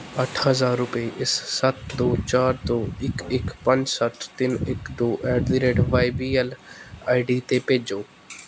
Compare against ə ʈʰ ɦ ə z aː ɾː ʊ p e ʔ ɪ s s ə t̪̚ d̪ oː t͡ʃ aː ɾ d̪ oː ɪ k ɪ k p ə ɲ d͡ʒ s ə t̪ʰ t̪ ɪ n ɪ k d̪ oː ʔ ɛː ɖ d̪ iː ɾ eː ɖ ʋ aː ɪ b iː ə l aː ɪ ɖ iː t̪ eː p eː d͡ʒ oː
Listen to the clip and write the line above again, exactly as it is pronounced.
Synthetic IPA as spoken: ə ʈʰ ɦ ə z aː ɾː ʊ p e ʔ ɪ s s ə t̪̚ d̪ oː t͡ʃ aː ɾ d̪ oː ɪ k ɪ k p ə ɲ d͡ʒ s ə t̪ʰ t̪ ɪ n ɪ k d̪ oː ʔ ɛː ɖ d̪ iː ɾ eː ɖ ʋ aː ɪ b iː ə l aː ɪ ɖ iː t̪ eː p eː d͡ʒ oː